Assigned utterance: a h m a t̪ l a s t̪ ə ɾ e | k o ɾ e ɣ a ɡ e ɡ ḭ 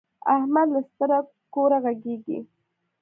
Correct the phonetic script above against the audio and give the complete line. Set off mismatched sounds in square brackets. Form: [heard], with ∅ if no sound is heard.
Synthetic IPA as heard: a h m a [d̪] l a s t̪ ə ɾ [a] | k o ɾ [a] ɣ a ɡ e ɡ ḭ